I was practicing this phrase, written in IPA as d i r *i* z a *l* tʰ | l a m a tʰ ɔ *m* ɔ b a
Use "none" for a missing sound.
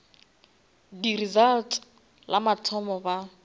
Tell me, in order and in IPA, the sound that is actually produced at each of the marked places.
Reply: i, l, m

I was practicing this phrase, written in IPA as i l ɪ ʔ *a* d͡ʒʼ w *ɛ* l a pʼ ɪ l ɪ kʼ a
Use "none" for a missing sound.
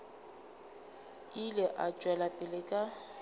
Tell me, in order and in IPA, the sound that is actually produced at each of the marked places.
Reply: a, ɛ

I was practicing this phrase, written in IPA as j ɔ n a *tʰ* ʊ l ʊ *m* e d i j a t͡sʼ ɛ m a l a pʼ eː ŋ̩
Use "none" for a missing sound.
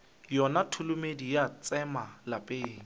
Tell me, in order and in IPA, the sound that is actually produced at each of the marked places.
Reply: tʰ, m

